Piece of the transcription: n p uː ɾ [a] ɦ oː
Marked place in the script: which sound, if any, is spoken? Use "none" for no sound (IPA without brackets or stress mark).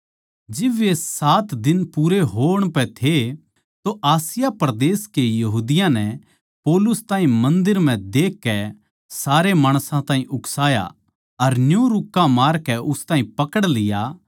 e